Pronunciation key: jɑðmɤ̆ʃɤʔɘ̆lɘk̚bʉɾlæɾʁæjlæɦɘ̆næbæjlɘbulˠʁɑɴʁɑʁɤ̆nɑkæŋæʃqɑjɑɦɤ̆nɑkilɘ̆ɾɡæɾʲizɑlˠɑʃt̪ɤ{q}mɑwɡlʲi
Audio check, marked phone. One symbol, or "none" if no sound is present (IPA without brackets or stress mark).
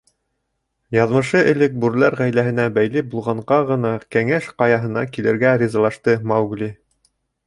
none